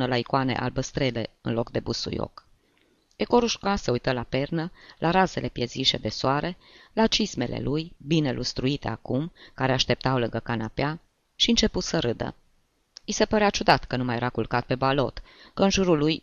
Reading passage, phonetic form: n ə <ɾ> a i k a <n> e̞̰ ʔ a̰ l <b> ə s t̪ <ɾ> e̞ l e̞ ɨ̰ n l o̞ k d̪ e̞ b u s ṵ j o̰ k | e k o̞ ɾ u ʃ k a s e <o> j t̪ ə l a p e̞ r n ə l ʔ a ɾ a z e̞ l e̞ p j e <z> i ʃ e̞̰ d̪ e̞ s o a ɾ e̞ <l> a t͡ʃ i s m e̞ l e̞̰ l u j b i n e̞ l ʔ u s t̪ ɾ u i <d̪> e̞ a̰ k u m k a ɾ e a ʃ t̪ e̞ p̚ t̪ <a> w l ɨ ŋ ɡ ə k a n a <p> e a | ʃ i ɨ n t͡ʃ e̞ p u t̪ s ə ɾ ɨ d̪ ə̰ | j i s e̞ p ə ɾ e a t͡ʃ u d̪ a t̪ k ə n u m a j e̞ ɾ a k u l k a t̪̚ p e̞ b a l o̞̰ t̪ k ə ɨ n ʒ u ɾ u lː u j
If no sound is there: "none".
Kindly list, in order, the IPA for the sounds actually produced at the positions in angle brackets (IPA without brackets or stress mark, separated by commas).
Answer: l, n, b, ɾ, u, z, l, t̪, a, p